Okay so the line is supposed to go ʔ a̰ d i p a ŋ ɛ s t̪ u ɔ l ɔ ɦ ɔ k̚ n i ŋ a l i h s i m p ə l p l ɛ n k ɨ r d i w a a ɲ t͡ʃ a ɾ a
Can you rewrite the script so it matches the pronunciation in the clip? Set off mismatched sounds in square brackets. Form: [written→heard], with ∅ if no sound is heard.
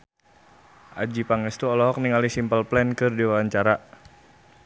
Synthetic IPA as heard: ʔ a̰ [d→d͡ʒ] i p a ŋ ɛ s t̪ u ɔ l ɔ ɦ ɔ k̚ n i ŋ a l i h s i m p ə l p l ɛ n k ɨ r d i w a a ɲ t͡ʃ a ɾ a